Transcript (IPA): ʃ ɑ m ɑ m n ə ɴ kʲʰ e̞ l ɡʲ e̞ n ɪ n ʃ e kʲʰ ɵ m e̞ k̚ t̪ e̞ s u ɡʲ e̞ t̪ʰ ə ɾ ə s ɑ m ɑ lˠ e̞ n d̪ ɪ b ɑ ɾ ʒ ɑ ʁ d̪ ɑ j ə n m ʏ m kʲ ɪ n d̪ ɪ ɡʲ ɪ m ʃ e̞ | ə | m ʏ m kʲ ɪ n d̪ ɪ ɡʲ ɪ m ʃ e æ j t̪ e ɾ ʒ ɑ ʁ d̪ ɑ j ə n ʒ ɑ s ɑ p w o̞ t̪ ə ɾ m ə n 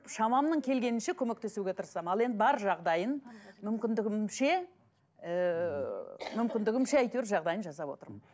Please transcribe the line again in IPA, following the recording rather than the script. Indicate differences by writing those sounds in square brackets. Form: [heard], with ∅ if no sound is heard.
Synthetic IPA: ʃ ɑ m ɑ m n ə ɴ kʲʰ e̞ l ɡʲ e̞ n ɪ n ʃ e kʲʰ ɵ m e̞ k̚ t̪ e̞ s u ɡʲ e̞ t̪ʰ ə ɾ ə s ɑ m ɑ lˠ e̞ n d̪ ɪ b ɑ ɾ ʒ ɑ ʁ d̪ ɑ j ə n m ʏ m kʲ ɪ n d̪ ɪ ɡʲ ɪ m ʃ e̞ | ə | m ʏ m kʲ ɪ n d̪ ɪ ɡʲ ɪ m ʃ e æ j t̪ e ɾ ʒ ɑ ʁ d̪ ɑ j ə n ʒ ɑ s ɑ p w o̞ t̪ ə ɾ m ə n